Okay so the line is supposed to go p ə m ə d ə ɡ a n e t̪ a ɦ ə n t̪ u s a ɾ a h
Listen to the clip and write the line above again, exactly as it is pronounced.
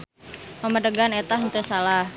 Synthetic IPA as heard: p ə m ə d ə ɡ a n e t̪ a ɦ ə n t̪ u s a l a h